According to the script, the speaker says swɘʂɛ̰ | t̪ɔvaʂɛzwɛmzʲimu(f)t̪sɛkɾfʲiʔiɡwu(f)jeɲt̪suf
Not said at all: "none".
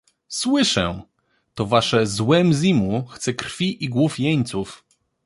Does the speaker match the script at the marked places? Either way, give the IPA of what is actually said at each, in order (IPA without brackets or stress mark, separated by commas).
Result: x, f